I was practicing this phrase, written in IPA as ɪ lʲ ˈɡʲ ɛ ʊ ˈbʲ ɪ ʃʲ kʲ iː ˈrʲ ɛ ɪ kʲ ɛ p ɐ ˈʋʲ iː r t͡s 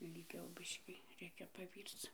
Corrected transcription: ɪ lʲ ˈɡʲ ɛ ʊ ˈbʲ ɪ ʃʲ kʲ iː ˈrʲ ɛ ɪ kʲ ɛ p ɐ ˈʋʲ iː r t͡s

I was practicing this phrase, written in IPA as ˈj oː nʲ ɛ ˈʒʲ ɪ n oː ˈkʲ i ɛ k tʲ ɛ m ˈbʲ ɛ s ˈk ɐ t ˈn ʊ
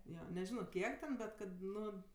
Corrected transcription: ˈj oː nʲ ɛ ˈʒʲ ɪ n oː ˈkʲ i ɛ k tʲ ɛ n ˈbʲ ɛ t ˈk ɐ t ˈn ʊ

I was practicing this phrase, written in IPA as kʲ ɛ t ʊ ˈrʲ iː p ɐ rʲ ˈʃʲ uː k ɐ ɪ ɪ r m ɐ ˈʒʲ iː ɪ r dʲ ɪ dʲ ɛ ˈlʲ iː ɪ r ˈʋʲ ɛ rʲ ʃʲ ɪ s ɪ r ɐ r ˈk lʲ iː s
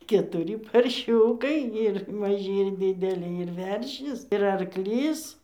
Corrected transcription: kʲ ɛ t ʊ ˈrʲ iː p ɐ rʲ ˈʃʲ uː k ɐ ɪ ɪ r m ɐ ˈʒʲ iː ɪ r dʲ ɪ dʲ ɛ ˈlʲ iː ɪ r ˈʋʲ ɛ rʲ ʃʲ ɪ s ɪ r ɐ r ˈk lʲ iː s

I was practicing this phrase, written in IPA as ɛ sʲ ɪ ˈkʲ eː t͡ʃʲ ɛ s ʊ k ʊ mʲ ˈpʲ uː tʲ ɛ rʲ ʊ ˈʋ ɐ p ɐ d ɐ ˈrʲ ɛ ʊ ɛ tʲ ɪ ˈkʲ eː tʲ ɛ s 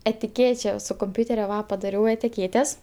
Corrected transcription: ɛ tʲ ɪ ˈkʲ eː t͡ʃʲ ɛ s ʊ k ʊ mʲ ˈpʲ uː tʲ ɛ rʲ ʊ ˈʋ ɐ p ɐ d ɐ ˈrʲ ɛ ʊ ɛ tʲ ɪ ˈkʲ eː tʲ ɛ s

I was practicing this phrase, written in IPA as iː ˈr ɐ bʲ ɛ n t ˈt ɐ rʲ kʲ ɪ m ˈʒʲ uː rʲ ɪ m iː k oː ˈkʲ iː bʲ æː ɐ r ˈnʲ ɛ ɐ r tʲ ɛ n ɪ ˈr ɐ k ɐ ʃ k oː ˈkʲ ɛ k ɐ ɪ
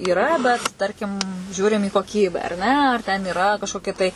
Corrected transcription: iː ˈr ɐ bʲ ɛ t ˈt ɐ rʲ kʲ ɪ m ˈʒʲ uː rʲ ɪ m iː k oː ˈkʲ iː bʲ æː ɐ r ˈnʲ ɛ ɐ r tʲ ɛ n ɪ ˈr ɐ k ɐ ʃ k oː ˈkʲ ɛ t ɐ ɪ

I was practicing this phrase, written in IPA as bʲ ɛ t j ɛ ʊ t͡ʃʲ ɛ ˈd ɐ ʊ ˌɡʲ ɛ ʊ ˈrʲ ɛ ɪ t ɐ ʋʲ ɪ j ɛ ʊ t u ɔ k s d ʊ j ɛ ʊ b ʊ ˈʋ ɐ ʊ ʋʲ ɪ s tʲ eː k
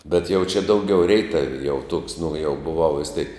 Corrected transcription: bʲ ɛ t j ɛ ʊ t͡ʃʲ ɛ ˈd ɐ ʊ ˌɡʲ ɛ ʊ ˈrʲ ɛ ɪ t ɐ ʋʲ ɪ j ɛ ʊ t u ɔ k s n ʊ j ɛ ʊ b ʊ ˈʋ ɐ ʊ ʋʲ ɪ s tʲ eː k

